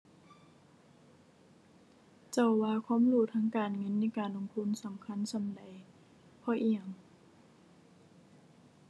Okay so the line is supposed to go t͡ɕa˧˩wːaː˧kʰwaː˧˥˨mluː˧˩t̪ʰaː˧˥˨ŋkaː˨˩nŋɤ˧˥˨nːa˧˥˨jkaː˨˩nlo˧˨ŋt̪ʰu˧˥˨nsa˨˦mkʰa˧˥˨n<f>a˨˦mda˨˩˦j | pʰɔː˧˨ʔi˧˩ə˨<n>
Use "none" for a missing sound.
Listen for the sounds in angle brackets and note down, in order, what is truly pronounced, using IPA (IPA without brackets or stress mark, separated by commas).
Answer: s, ŋ